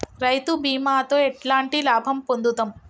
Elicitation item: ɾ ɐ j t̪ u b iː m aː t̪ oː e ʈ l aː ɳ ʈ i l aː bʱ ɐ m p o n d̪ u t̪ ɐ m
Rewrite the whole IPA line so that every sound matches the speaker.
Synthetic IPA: ɾ ɐ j t̪ u b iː m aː t̪ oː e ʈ l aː ɳ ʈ i l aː bʱ ɐ m p o n d̪ u t̪ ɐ m